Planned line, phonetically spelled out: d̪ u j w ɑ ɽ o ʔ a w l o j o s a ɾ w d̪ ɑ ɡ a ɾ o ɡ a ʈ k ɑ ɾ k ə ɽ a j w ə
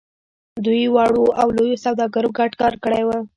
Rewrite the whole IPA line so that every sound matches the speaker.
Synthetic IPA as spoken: d̪ u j w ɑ ɽ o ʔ a w l o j o s a w d̪ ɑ ɡ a ɾ o ɡ a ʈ k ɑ ɾ k ə ɽ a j w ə

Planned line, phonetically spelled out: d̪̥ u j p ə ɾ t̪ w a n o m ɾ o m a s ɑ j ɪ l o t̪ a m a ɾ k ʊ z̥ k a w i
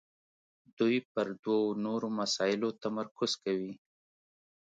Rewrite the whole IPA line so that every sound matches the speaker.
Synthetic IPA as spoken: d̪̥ u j p ə ɾ d̪ w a n o ɾ o m a s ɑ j ɪ l o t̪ a m a ɾ k ʊ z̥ k a w i

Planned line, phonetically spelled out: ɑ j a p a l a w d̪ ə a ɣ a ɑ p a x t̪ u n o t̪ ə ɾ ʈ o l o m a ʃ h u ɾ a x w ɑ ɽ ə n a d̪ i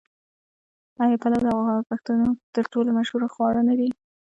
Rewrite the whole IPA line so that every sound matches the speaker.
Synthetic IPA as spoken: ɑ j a p a l a w d̪ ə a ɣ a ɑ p a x t̪ u n o t̪ ə ɾ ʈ o l o m a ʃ h u ɾ a x w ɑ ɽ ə n a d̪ i

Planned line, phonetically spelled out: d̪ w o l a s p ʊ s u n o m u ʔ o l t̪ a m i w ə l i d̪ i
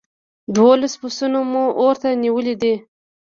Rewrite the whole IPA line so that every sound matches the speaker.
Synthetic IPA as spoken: d̪ w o l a s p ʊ s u n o m u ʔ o ɾ t̪ a n i w ə l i d̪ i

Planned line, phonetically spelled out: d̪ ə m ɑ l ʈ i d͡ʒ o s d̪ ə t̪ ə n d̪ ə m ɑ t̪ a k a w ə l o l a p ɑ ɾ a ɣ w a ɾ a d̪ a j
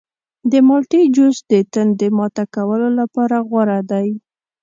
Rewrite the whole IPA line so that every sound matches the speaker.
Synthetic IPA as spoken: d̪ ə m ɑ l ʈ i d͡ʒ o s d̪ ə t̪ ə n d̪ ə m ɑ t̪ a k a w ə l o l a p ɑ ɾ a ɣ w a ɾ a d̪ a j

